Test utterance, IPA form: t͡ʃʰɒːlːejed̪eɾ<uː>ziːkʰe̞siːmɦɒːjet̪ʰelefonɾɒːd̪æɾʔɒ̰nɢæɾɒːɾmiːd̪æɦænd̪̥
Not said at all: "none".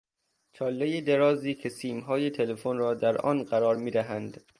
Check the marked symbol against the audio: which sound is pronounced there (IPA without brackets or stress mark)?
ɒː